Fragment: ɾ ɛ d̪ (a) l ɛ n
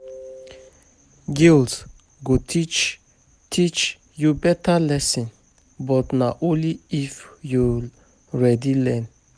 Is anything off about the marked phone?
yes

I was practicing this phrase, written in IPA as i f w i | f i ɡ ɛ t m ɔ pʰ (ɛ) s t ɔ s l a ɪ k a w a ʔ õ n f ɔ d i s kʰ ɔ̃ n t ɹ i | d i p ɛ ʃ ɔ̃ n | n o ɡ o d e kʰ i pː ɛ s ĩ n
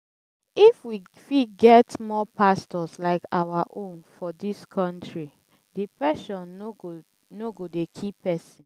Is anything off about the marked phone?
yes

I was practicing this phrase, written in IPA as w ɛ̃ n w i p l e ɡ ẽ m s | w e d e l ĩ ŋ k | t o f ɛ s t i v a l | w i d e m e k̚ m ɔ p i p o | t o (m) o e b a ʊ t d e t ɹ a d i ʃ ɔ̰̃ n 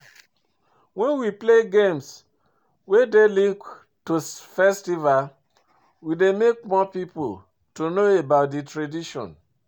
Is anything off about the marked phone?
yes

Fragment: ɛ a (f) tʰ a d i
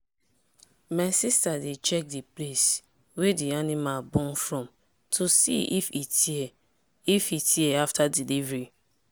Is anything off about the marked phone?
no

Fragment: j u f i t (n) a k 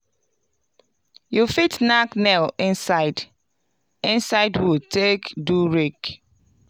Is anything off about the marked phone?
no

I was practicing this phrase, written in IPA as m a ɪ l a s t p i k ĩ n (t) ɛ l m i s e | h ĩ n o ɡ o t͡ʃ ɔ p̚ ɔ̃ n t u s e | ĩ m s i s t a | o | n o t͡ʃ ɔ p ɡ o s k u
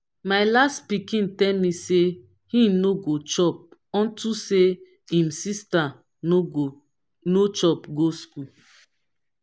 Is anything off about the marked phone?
no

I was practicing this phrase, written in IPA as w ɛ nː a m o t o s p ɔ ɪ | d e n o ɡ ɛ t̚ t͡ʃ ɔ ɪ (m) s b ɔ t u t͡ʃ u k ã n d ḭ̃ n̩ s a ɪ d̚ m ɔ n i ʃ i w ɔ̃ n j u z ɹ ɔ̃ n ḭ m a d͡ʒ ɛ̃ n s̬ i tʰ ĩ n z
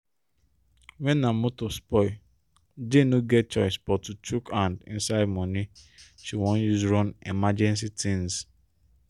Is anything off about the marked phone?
yes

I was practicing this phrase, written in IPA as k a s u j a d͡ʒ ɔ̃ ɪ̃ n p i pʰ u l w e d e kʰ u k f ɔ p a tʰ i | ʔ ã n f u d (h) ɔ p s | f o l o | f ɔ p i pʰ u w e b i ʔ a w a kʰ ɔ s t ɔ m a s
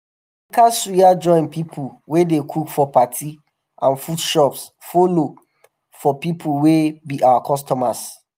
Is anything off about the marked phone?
yes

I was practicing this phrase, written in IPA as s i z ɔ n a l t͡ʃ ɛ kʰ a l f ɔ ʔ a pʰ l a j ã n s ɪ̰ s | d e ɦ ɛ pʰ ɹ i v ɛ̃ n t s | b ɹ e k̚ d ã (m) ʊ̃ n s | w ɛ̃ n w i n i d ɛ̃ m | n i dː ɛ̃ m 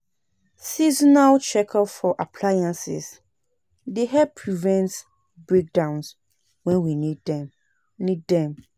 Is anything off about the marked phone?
yes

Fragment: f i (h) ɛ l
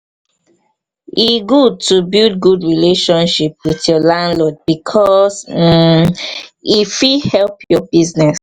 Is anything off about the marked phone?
no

